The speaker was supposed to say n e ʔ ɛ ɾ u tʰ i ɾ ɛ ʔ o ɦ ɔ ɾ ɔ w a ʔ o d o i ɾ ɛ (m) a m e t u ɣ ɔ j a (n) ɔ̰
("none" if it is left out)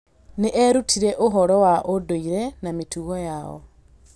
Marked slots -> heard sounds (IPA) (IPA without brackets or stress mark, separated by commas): n, none